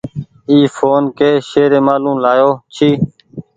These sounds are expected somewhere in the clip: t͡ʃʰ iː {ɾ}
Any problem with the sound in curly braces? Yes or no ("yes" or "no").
yes